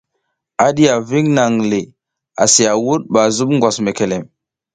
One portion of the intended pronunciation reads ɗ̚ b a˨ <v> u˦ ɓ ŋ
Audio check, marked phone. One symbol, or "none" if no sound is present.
z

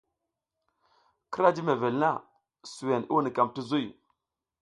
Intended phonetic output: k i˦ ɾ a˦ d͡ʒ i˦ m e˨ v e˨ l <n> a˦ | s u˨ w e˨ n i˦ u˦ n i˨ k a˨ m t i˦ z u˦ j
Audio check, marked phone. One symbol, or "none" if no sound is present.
n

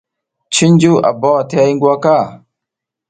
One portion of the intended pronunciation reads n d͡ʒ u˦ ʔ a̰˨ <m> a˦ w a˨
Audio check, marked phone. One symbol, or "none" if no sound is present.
b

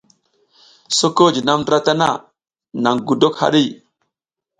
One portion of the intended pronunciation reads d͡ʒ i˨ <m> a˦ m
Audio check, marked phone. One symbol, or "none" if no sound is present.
n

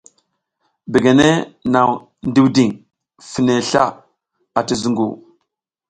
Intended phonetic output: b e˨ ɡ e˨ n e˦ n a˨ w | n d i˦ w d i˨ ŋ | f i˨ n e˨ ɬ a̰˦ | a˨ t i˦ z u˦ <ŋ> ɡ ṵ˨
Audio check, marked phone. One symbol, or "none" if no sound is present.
ŋ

